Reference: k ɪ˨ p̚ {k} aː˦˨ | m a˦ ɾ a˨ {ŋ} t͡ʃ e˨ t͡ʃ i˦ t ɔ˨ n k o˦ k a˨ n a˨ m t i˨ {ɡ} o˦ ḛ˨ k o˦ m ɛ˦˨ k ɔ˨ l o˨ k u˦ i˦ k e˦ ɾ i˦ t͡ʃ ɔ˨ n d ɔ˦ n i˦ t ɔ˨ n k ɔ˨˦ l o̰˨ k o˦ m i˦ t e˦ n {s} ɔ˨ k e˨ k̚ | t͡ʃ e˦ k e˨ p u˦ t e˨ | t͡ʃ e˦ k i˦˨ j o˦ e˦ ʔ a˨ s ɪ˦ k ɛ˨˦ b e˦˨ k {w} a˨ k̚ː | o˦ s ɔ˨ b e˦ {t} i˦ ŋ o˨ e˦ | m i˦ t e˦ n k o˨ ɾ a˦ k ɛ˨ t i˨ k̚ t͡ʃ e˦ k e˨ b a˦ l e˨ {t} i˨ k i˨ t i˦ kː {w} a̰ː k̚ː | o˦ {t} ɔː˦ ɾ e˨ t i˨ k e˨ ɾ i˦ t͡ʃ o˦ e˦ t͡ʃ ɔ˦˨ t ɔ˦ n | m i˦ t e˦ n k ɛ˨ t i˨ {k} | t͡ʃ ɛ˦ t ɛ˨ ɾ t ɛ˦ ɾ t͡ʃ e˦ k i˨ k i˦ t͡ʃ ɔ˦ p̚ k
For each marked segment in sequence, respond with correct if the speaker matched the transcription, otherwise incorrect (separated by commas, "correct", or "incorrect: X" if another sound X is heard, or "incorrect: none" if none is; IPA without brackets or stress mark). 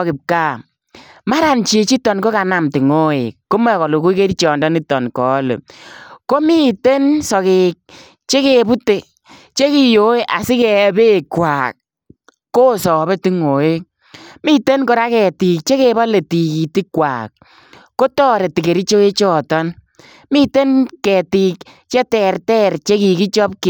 correct, incorrect: n, incorrect: ŋ, correct, correct, correct, correct, correct, correct, correct